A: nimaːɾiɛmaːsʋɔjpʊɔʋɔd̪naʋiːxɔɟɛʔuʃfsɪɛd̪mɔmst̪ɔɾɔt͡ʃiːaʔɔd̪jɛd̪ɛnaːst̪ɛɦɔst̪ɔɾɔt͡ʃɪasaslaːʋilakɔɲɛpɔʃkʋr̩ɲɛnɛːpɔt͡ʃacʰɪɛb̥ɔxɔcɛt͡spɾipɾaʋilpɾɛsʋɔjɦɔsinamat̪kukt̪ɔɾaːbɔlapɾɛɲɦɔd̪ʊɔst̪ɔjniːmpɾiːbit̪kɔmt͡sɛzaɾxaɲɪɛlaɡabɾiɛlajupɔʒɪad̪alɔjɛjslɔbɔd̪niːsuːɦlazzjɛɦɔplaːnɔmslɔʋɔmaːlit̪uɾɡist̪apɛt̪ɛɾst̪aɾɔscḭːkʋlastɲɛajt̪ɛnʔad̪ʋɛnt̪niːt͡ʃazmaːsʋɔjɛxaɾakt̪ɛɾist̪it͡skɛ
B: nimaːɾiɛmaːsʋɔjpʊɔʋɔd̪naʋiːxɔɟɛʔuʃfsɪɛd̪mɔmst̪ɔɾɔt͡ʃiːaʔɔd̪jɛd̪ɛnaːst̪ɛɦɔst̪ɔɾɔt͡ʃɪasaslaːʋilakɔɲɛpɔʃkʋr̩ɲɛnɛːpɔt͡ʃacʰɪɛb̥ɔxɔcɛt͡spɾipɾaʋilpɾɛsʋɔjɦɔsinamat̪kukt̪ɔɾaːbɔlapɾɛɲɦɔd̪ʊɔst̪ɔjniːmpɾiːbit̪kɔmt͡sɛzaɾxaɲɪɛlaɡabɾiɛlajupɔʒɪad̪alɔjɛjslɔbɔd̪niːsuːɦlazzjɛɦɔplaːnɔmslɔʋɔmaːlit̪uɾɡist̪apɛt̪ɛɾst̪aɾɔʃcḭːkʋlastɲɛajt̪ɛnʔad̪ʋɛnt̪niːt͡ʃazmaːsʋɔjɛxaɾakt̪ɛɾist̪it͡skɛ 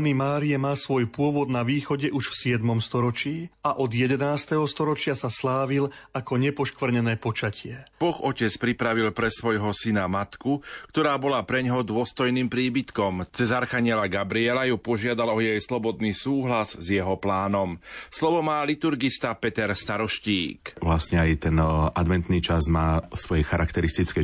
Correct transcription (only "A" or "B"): B